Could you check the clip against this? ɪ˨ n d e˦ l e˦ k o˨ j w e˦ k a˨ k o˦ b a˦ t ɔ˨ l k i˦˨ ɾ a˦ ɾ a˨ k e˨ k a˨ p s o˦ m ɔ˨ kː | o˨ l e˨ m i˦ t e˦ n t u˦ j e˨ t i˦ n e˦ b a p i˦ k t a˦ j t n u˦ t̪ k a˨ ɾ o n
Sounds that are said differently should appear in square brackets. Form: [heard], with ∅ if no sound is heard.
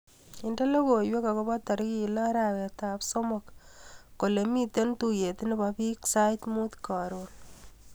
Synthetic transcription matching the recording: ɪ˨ n d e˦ l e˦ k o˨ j w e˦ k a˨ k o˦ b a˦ t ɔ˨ [ɾ] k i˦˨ [l] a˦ ɾ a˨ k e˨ [t] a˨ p s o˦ m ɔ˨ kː | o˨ l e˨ m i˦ t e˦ n t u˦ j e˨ t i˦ n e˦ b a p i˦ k [s] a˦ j t [m] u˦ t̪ k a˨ ɾ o n